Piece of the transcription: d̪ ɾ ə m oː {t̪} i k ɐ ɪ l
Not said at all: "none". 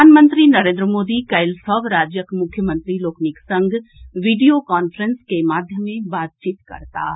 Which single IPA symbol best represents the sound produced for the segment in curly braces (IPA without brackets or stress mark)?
d̪